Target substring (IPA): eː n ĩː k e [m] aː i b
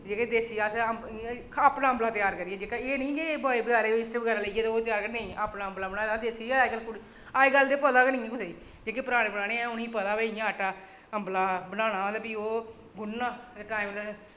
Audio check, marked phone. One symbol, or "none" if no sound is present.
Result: b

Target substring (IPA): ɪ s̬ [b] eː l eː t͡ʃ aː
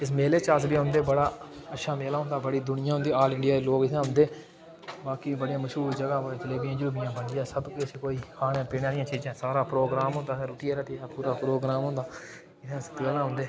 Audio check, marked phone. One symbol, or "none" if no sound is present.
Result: m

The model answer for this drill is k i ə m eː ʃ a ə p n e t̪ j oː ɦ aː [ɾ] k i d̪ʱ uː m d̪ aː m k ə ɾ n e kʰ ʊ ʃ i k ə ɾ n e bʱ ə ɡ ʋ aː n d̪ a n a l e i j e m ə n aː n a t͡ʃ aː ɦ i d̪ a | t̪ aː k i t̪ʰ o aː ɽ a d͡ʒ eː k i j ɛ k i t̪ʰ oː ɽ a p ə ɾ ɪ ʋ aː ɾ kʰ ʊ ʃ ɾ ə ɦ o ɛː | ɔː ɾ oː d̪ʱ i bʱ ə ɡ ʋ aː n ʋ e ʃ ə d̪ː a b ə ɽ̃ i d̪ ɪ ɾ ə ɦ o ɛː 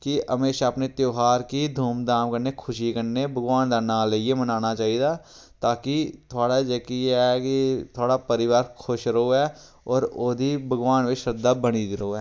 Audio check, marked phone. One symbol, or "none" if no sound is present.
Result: ɾ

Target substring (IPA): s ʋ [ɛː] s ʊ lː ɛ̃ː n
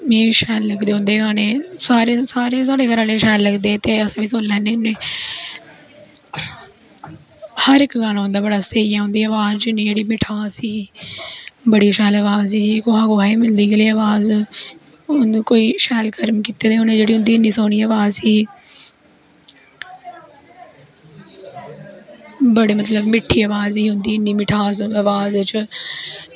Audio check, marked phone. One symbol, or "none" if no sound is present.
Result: iː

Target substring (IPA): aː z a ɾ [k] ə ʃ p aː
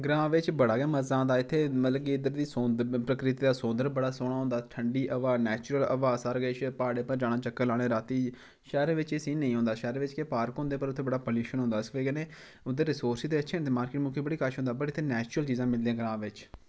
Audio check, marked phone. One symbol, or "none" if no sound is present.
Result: ɡ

